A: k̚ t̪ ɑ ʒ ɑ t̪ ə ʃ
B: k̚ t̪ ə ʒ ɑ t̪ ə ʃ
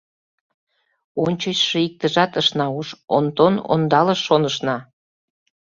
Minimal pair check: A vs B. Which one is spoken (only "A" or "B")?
B